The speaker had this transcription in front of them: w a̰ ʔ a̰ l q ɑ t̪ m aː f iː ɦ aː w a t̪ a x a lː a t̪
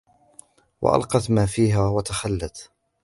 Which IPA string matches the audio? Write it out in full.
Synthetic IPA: w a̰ ʔ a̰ l q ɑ t̪ m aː f iː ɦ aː w a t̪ a x a lː a t̪